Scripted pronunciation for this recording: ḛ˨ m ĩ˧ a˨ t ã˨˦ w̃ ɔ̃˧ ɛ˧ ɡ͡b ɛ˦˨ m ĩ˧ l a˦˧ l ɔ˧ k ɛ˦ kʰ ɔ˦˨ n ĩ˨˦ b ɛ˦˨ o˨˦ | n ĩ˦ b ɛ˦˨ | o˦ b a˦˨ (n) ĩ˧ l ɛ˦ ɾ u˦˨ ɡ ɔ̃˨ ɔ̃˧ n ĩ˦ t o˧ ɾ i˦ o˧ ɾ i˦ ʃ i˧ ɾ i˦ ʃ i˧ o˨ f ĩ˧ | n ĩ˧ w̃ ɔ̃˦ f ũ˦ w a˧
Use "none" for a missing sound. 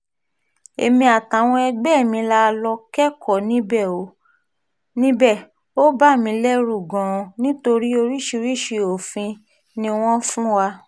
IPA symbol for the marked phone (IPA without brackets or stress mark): m